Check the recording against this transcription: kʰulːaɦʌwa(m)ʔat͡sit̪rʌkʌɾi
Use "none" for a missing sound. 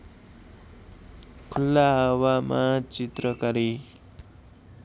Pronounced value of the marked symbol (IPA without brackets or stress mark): m